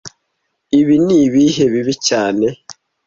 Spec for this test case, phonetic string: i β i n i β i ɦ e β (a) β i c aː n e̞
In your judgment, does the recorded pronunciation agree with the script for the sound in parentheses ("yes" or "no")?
no